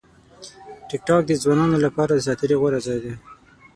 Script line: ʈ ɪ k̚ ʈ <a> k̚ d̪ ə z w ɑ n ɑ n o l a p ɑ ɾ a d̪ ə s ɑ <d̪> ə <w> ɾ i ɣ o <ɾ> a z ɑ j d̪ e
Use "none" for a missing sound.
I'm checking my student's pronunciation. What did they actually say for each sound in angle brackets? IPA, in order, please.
ɑ, t̪, none, ɾ

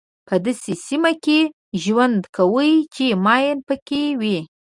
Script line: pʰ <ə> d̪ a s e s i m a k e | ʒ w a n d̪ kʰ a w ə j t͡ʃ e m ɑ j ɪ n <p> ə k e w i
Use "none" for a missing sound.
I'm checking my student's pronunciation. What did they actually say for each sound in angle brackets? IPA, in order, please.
ə, p

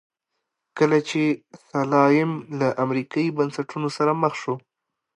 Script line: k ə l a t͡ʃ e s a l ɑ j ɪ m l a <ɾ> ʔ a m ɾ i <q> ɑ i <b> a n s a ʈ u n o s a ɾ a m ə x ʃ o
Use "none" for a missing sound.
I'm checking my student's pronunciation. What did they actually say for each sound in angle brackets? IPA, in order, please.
none, k, b

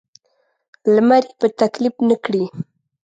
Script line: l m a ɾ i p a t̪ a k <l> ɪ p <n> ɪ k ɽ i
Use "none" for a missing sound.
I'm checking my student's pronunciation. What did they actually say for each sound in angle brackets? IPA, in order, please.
l, n

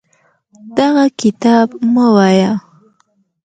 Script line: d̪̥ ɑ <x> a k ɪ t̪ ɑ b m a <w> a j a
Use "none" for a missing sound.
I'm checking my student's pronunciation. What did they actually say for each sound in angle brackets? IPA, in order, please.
ɣ, w

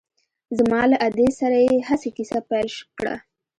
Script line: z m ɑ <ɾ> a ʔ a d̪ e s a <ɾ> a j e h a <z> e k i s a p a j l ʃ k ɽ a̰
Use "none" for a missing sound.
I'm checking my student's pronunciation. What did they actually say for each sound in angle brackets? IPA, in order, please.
l, ɾ, s

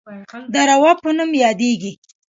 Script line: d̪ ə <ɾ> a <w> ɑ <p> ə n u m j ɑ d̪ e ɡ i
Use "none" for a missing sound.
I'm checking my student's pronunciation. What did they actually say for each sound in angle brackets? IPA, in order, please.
ɾ, w, p

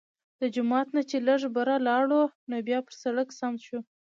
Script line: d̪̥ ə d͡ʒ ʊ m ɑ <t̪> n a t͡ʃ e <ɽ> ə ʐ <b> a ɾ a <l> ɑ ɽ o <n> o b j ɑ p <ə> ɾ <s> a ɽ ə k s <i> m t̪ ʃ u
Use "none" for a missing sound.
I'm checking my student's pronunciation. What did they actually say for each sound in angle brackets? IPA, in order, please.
t̪, l, b, l, n, ə, s, a

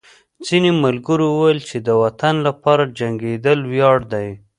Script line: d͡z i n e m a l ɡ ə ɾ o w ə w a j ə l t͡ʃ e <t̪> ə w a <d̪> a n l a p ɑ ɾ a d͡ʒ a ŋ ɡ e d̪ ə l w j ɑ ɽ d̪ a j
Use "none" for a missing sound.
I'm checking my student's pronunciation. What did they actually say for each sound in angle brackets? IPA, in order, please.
d̪, t̪

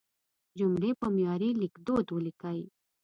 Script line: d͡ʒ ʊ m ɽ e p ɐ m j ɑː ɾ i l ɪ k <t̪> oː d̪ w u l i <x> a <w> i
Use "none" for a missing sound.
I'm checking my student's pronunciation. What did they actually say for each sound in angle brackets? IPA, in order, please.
d̪, k, none

